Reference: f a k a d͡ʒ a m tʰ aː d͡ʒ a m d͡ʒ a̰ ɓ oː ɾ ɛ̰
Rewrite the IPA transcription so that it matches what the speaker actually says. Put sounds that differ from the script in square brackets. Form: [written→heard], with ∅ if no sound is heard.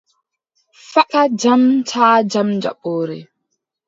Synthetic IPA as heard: f a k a d͡ʒ a m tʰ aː d͡ʒ a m d͡ʒ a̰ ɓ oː ɾ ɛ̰